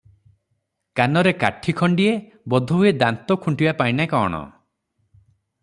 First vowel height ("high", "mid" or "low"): low